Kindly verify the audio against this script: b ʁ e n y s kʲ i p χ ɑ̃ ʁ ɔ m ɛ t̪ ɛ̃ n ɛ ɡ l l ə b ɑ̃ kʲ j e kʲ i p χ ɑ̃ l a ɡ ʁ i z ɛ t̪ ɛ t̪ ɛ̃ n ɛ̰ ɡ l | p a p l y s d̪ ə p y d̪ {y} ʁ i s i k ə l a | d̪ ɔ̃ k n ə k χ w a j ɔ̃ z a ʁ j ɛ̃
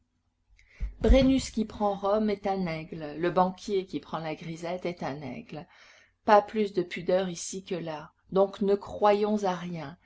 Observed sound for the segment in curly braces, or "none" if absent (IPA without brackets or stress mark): œ